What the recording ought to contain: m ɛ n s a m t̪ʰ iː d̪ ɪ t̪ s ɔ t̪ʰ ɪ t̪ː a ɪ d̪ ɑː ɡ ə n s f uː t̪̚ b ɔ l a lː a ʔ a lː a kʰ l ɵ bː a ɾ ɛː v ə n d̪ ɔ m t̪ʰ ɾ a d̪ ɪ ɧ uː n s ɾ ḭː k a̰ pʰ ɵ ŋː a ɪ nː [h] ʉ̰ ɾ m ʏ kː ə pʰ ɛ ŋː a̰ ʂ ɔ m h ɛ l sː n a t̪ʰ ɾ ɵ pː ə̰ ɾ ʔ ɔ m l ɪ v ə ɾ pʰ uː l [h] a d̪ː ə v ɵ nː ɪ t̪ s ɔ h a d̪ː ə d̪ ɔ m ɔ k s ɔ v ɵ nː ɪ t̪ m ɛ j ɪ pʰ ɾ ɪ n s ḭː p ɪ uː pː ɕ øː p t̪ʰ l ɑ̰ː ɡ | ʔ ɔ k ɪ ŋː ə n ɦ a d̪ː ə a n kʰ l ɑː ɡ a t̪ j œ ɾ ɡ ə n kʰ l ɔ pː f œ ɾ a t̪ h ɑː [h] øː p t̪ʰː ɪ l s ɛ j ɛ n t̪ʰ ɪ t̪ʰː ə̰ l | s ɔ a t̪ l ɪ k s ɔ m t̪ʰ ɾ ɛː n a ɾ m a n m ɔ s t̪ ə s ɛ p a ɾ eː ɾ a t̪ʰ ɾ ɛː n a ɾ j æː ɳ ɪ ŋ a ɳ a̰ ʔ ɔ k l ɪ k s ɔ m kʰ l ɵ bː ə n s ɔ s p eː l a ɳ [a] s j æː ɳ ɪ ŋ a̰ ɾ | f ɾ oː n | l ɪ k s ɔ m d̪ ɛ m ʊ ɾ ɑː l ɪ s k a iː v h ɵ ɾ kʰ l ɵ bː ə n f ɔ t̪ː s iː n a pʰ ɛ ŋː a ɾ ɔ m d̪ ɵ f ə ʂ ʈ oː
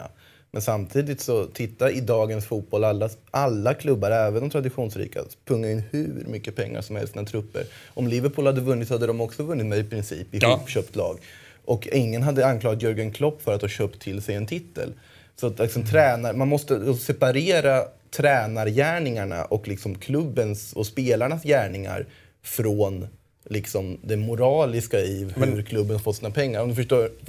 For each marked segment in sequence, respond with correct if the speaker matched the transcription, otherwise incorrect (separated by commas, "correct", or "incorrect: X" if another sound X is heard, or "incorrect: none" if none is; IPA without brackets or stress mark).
correct, correct, incorrect: ɕ, correct